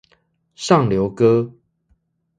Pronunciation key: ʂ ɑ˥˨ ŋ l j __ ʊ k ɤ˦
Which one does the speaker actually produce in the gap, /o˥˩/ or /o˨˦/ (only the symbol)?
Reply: o˨˦